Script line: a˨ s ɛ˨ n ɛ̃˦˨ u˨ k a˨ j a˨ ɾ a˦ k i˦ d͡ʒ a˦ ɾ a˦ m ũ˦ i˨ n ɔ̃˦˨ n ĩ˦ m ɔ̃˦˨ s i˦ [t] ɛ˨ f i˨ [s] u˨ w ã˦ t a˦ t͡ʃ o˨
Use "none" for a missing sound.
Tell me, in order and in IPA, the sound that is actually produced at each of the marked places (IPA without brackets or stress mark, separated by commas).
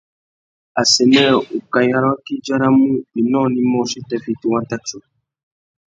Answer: t, t